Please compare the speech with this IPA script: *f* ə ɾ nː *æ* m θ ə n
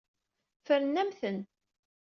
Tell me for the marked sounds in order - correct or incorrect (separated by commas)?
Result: correct, correct